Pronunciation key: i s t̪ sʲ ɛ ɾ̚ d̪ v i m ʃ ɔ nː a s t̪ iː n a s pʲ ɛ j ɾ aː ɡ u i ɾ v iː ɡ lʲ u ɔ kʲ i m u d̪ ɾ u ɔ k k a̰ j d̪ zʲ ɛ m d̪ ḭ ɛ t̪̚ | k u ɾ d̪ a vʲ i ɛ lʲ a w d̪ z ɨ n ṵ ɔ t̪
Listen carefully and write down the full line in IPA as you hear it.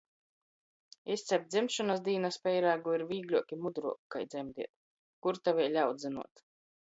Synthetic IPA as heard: i s t̪ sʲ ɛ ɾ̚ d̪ z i m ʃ ɔ n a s d̪ iː n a s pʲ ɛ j ɾ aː ɡ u i ɾ v iː ɡ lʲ u ɔ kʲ i m u d̪ ɾ u ɔ k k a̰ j d̪ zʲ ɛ m d̪ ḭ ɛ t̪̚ | k u ɾ t̪ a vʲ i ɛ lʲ a w d̪ z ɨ n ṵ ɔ t̪

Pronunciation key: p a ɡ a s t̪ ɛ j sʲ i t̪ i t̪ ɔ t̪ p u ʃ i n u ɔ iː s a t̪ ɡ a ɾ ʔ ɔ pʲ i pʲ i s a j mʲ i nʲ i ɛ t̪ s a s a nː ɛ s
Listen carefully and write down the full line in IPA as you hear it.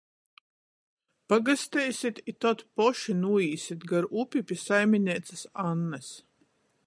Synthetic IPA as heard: p a ɡ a s t̪ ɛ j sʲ i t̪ i t̪ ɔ t̪ p ɔ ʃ i n u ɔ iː s i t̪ ɡ a ɾ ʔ u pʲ i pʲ i s a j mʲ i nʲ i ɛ t̪ s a s a nː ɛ s

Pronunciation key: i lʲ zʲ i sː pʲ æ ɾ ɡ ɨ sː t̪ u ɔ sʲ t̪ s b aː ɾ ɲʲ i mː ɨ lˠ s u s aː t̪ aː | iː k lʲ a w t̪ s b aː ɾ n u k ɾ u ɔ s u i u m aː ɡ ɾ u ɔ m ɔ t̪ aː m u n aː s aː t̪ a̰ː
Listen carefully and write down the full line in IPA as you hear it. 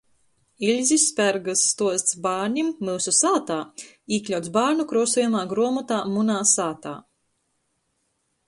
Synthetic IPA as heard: i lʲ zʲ i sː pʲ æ ɾ ɡ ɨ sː t̪ u ɔ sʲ t̪ s b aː ɾ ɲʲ i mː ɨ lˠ s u s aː t̪ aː | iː k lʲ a w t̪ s b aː ɾ n u k ɾ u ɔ s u j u m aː ɡ ɾ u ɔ m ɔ t̪ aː m u n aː s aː t̪ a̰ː

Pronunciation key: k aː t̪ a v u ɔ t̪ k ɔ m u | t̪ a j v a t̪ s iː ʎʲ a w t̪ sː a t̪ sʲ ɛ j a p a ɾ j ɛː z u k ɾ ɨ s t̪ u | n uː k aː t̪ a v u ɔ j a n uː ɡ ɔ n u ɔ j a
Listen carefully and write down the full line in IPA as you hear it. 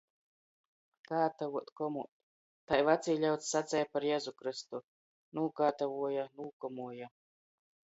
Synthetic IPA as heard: k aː t̪ a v u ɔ t̪ k ɔ m u | t̪ a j v a t̪ s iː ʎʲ a w t̪ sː a t̪ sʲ ɛ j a p a ɾ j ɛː z u k ɾ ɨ s t̪ u | n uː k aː t̪ a v u ɔ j a n uː k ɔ m u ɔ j a

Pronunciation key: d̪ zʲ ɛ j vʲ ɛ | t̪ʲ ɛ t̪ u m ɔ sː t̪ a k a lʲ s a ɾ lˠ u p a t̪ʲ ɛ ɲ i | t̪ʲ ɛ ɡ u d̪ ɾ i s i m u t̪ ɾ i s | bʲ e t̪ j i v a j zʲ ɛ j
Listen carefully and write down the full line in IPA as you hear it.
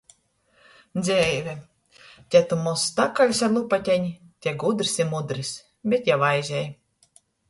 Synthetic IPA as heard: d̪ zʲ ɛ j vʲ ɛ | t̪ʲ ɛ t̪ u m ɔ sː t̪ a k a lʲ s a ɾ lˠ u p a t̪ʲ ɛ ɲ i | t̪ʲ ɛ ɡ u d̪ ɾ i s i m u d̪ ɾ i s | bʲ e t̪ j a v a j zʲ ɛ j

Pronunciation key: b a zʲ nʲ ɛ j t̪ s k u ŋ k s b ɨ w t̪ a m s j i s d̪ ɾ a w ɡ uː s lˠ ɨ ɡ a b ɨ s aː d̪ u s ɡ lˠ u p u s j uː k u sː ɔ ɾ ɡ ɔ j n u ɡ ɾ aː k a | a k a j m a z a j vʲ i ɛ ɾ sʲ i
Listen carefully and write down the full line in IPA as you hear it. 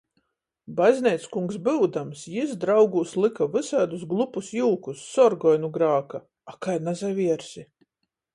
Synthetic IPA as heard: b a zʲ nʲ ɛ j t̪ s k u ŋ k s b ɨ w d̪ a m s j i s d̪ ɾ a w ɡ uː s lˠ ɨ k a v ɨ s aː d̪ u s ɡ lˠ u p u s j uː k u sː ɔ ɾ ɡ ɔ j n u ɡ ɾ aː k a | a k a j n a z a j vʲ i ɛ ɾ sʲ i

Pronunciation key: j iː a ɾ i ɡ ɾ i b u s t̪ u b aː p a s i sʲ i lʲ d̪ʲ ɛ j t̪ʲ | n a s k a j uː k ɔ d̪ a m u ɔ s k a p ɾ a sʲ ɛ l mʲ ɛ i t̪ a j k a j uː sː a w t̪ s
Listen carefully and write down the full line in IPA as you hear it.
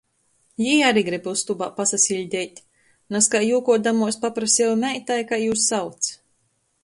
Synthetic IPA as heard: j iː a ɾ i ɡ ɾ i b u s t̪ u b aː p a s a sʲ i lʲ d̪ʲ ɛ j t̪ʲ | n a s k a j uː k ɔ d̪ a m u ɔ s p a p ɾ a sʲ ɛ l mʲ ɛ j t̪ a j k a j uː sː a w t̪ s

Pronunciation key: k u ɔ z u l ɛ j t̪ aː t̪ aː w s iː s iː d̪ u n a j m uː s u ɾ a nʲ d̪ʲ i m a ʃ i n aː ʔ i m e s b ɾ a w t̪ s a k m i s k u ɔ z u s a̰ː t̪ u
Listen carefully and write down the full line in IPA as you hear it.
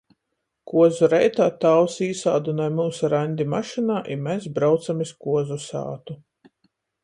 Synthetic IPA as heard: k u ɔ z u ɾ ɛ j t̪ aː t̪ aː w s iː s aː d̪ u n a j m uː s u ɾ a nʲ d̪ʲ i m a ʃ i n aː ʔ i m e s b ɾ a w t̪ s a m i s k u ɔ z u s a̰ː t̪ u

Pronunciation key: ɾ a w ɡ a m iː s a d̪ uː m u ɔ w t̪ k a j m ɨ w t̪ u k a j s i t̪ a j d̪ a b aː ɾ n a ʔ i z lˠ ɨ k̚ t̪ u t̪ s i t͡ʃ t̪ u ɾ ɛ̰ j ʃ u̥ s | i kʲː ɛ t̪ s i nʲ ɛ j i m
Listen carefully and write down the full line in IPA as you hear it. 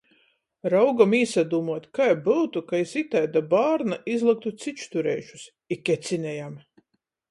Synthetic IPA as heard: ɾ a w ɡ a m iː s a d̪ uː m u ɔ t̪ k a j b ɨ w t̪ u k a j s i t̪ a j d̪ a b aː ɾ n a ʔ i z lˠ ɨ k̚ t̪ u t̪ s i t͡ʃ t̪ u ɾ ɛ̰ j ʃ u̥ s | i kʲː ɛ t̪ s i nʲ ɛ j a m

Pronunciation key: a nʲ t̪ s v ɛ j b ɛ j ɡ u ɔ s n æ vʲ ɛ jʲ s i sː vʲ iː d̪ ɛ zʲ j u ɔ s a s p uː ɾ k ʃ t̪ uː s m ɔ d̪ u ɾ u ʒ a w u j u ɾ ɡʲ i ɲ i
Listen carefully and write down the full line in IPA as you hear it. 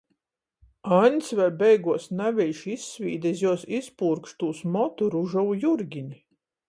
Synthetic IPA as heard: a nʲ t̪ s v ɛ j b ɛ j ɡ u ɔ s n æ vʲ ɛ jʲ ʃ i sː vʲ iː d̪ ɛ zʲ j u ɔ s i s p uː ɾ k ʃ t̪ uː s m ɔ t̪ u ɾ u ʒ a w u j u ɾ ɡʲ i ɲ i

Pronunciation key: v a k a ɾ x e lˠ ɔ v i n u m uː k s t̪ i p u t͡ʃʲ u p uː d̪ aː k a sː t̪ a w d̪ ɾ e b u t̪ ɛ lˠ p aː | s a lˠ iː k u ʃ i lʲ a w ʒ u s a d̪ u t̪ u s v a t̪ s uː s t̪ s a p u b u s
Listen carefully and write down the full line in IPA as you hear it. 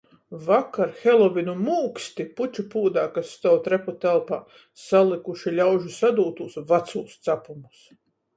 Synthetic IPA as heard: v a k a ɾ x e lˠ ɔ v i n u m uː k s t̪ i p u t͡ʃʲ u p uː d̪ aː k a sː t̪ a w t̪ ɾ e p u t̪ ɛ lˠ p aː | s a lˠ i k u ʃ i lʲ a w ʒ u s a d̪ uː t̪ u s v a t̪ s uː s t̪ s a p u m u s

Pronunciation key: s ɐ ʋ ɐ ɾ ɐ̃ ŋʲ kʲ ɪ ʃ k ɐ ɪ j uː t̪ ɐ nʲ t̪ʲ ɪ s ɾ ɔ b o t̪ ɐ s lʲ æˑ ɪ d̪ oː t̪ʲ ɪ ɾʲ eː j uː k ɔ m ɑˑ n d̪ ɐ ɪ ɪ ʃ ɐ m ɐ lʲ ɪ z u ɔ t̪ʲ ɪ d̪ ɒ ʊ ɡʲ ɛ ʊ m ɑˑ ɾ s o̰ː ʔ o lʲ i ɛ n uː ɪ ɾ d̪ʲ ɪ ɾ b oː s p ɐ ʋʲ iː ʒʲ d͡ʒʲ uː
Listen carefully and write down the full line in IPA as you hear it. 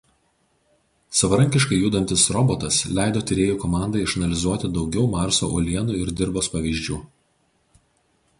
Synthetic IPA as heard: s ɐ ʋ ɐ ɾ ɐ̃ ŋʲ kʲ ɪ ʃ k ɐ ɪ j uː d̪ ɐ nʲ t̪ʲ ɪ s ɾ ɔ b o t̪ ɐ s lʲ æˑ ɪ d̪ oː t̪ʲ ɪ ɾʲ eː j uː k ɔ m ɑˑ n d̪ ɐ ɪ ɪ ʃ ɐ n ɐ lʲ ɪ z u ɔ t̪ʲ ɪ d̪ ɒ ʊ ɡʲ ɛ ʊ m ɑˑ ɾ s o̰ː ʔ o lʲ i ɛ n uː ɪ ɾ d̪ʲ ɪ ɾ b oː s p ɐ ʋʲ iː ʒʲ d͡ʒʲ uː

